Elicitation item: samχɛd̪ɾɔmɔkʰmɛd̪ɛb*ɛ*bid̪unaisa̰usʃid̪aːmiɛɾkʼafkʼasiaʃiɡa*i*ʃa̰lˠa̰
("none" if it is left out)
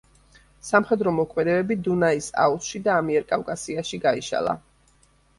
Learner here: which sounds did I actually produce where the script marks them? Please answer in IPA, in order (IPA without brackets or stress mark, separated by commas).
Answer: ɛ, i